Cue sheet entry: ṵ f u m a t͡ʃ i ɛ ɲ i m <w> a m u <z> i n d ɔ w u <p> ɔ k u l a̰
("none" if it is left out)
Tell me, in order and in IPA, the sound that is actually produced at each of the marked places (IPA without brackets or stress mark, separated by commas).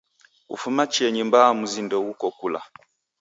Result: b, z, k